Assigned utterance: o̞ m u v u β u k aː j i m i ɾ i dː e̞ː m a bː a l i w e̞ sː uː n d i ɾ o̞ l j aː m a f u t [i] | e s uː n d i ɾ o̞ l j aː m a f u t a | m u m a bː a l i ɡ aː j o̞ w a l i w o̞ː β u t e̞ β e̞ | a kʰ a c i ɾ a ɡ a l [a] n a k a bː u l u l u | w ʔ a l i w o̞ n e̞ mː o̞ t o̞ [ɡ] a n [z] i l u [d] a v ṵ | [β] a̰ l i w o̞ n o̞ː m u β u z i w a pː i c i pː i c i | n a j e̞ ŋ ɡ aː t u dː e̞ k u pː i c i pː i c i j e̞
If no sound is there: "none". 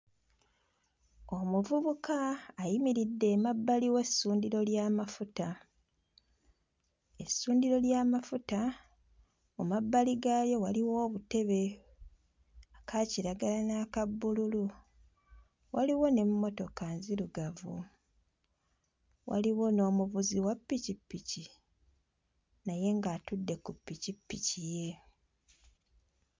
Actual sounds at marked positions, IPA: a, a, k, z, ɡ, w

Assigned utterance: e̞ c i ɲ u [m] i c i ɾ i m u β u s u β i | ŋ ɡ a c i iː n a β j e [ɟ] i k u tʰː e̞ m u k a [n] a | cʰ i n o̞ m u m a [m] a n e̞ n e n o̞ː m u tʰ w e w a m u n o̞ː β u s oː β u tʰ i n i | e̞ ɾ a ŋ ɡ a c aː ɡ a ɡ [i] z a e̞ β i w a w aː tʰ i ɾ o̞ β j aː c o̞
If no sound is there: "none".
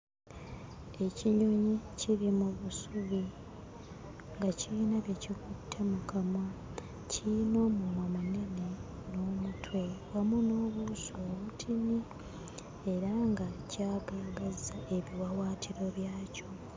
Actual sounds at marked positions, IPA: ɲ, c, m, m, a

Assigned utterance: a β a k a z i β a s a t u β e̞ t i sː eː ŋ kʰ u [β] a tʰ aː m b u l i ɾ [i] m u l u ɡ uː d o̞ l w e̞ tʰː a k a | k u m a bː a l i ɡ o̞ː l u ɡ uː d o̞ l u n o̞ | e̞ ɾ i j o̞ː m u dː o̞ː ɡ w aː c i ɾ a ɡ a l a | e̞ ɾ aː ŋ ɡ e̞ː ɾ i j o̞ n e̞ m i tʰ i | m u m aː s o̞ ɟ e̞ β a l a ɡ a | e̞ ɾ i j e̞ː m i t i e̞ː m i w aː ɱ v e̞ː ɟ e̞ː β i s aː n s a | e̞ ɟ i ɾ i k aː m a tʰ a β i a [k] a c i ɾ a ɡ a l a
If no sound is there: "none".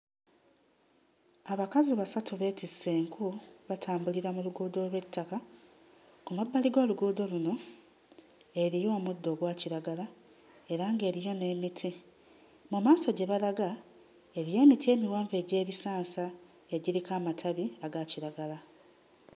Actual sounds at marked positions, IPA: β, a, ɡ

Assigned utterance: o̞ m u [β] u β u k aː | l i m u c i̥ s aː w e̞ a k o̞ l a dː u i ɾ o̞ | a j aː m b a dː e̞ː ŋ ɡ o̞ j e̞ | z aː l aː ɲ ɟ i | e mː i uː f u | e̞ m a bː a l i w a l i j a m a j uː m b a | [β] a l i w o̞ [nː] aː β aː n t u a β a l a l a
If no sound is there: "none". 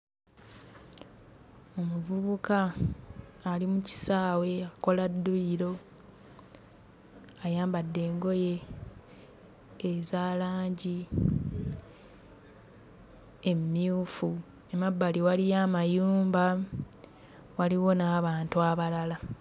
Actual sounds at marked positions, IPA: v, w, n

